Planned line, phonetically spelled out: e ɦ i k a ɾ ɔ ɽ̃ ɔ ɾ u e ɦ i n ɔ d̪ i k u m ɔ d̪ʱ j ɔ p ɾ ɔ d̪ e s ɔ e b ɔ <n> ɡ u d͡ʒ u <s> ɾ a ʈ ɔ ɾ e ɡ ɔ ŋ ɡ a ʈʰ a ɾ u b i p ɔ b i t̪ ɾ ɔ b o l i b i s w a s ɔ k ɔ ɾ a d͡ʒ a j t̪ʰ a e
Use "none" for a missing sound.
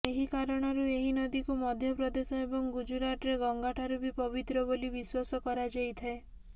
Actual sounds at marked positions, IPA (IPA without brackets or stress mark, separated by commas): ŋ, none